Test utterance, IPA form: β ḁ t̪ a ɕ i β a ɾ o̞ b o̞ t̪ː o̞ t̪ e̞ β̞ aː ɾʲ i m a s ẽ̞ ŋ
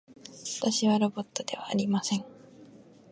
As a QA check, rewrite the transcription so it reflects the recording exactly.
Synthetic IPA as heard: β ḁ t̪ a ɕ i β a ɾ o̞ b o̞ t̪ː o̞ d̪ e̞ β̞ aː ɾʲ i m a s ẽ̞ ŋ

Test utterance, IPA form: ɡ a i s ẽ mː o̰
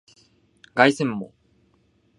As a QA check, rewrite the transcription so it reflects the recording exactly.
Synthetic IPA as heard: ɡ a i s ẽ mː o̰

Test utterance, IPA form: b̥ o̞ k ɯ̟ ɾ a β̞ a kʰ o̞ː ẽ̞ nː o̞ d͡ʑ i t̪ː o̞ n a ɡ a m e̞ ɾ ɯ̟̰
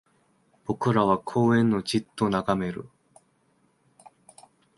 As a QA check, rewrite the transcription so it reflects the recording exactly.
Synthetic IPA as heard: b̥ o̞ k ɯ̟ ɾ a β̞ a kʰ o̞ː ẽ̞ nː o̞ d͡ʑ i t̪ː o̞ n a ɡ a m e̞ ɾ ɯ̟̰

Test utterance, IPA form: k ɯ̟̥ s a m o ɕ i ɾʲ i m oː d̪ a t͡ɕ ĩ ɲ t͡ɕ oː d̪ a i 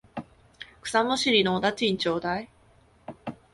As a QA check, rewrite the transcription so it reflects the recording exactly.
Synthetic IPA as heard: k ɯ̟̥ s a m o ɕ i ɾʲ i n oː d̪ a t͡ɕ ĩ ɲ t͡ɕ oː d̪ a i

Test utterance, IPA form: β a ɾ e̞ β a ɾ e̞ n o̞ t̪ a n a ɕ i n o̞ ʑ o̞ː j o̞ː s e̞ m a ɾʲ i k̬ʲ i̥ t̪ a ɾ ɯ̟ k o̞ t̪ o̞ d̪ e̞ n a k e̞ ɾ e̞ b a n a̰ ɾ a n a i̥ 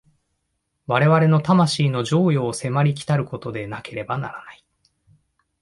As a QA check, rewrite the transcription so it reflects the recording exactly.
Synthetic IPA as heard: β a ɾ e̞ β a ɾ e̞ n o̞ t̪ a m a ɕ iː n o̞ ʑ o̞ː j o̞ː s e̞ m a ɾʲ i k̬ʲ i̥ t̪ a ɾ ɯ̟ k o̞ t̪ o̞ d̪ e̞ n a k e̞ ɾ e̞ b a n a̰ ɾ a n a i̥

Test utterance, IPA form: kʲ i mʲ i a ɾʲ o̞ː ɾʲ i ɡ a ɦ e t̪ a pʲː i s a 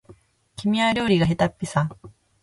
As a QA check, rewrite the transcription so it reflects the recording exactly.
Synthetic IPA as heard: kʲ i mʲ i a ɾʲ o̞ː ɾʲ i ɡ a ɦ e t̪ a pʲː i s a

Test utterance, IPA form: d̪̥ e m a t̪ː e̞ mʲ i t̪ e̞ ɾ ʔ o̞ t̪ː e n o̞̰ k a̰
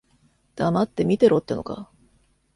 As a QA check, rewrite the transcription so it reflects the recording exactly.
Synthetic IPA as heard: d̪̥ a m a t̪ː e̞ mʲ i t̪ e̞ ɾ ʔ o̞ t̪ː e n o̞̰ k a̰

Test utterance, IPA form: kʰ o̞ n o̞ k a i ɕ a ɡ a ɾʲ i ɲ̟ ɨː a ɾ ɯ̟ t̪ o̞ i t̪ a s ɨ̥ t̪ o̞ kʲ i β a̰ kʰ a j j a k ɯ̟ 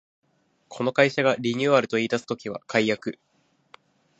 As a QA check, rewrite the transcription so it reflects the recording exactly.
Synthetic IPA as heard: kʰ o̞ n o̞ k a i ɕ a ɡ a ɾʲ i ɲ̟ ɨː a ɾ ɯ̟ t̪ o̞ iː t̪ a s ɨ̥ t̪ o̞ kʲ i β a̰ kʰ a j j a k ɯ̟

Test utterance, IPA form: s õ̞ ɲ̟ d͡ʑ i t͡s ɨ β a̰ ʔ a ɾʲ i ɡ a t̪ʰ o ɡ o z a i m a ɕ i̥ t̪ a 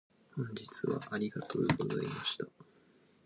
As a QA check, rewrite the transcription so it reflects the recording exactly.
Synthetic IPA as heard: h õ̞ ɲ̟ d͡ʑ i t͡s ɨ β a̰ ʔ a ɾʲ i ɡ a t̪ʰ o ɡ o z a i m a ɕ i̥ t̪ a

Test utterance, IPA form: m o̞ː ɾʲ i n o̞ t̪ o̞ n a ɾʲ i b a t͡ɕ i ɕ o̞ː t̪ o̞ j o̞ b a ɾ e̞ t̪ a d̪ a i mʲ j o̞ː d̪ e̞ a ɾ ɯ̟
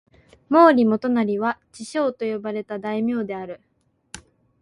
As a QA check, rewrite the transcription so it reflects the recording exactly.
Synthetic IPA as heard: m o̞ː ɾʲ i m o̞ t̪ o̞ n a ɾʲ i β a t͡ɕ i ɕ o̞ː t̪ o̞ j o̞ b a ɾ e̞ t̪ a d̪ a i mʲ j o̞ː d̪ e̞ a ɾ ɯ̟

